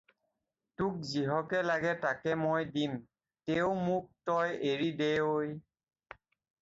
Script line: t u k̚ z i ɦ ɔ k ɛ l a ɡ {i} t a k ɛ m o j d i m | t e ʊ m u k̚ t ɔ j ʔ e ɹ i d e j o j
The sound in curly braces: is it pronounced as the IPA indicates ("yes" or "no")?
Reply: no